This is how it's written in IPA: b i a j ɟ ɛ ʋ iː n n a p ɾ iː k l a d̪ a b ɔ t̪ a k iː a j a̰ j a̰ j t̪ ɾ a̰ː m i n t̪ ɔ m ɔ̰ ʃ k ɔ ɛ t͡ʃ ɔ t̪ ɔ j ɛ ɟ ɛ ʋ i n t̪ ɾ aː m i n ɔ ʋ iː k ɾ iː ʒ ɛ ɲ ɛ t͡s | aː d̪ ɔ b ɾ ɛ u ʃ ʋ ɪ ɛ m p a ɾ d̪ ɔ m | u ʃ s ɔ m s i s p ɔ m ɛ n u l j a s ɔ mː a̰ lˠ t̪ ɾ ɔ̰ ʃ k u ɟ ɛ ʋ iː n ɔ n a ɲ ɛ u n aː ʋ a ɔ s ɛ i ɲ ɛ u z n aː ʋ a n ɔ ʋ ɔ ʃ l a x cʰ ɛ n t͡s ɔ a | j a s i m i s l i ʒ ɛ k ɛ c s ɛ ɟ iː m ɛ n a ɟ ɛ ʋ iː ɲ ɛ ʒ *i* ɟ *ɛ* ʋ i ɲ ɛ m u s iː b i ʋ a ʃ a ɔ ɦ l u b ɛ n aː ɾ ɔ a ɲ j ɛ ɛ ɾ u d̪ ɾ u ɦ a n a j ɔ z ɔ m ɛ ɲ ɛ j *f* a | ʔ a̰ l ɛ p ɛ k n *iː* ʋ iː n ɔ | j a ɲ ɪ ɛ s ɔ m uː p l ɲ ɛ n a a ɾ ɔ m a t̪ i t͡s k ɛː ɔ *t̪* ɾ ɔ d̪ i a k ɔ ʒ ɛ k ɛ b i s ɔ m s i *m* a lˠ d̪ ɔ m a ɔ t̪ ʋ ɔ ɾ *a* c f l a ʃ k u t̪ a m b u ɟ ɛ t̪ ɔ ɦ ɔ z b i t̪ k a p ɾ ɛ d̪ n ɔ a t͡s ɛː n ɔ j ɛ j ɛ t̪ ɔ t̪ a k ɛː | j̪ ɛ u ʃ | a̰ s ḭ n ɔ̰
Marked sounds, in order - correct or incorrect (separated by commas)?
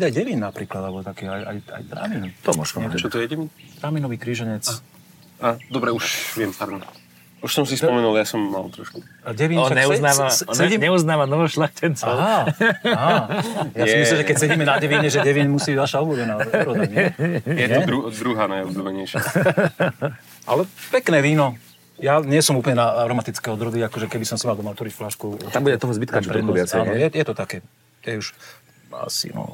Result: incorrect, correct, incorrect, incorrect, incorrect, correct, incorrect